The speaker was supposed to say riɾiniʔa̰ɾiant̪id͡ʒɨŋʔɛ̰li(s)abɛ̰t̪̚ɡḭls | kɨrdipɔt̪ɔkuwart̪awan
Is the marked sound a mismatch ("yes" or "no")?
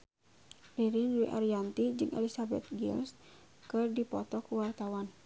no